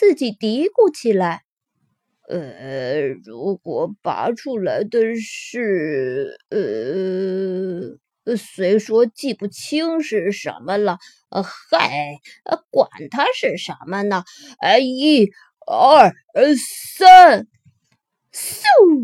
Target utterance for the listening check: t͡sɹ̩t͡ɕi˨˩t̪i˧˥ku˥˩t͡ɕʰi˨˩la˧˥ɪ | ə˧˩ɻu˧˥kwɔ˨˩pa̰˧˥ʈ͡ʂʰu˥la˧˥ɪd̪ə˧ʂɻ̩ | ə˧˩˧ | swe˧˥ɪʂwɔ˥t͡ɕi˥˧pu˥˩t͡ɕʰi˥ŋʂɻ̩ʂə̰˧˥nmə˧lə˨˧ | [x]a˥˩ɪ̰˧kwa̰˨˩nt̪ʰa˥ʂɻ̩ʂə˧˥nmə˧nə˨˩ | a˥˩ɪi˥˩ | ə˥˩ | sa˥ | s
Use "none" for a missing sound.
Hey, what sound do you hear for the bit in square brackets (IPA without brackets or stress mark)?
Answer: x